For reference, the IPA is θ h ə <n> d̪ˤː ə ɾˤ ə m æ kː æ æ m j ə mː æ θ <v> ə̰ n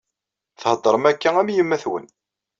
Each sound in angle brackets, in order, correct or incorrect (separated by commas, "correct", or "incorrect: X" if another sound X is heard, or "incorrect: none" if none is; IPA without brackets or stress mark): incorrect: none, incorrect: w